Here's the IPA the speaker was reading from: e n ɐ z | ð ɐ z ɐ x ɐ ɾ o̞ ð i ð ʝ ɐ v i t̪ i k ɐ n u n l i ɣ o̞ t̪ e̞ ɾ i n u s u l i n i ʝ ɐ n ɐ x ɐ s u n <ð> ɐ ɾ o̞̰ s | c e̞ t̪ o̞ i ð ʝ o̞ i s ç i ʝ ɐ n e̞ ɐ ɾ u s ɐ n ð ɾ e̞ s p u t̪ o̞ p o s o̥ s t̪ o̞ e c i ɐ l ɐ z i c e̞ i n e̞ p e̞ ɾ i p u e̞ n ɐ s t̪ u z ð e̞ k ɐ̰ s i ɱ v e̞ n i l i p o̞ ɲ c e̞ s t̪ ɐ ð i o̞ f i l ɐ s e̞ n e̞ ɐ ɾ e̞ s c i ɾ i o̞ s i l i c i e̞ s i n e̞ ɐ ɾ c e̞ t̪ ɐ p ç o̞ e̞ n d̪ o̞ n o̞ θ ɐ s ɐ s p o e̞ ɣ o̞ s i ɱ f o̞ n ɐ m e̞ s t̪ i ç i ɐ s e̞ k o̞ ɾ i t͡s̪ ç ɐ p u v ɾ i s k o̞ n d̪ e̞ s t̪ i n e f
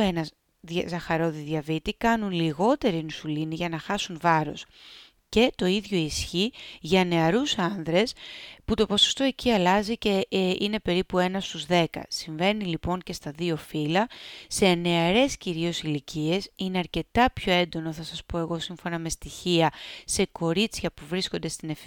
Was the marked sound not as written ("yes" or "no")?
yes